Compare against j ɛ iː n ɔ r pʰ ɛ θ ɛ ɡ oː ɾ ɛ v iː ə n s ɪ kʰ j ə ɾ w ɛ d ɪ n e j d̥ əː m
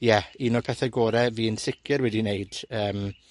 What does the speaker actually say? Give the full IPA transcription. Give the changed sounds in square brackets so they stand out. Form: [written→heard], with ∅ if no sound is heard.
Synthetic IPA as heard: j ɛ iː n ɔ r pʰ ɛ θ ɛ ɡ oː ɾ ɛ v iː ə n s ɪ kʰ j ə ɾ w ɛ d [ɪ→i] n e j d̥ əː m